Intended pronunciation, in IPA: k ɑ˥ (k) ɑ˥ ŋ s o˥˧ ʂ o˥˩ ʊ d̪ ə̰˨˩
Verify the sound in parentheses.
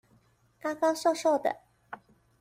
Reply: correct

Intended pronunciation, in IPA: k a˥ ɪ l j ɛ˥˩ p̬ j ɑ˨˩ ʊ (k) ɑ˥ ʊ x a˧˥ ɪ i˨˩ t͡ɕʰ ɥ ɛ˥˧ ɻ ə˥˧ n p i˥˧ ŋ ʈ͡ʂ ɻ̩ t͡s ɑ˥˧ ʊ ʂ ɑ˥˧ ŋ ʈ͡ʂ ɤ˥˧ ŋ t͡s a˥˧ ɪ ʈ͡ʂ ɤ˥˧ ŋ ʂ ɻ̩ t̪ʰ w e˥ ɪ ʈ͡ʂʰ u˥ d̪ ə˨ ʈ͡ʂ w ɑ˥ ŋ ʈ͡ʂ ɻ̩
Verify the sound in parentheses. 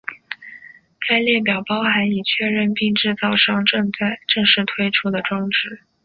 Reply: incorrect: p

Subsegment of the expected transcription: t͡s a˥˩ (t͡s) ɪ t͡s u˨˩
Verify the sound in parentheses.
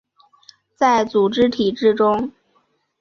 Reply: incorrect: none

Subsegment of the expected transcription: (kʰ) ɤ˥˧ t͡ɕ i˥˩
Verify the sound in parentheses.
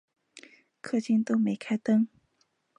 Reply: correct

